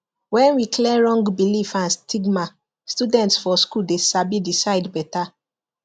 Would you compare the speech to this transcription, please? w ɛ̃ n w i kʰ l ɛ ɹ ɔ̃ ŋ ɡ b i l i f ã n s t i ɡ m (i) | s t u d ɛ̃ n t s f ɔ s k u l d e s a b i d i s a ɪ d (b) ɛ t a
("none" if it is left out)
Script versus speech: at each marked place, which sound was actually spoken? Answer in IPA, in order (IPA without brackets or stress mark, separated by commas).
a, b